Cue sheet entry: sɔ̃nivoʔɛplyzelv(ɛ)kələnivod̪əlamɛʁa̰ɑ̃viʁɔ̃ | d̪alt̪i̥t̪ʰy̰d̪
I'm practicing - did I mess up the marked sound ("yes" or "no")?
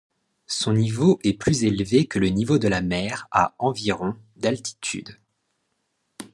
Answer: yes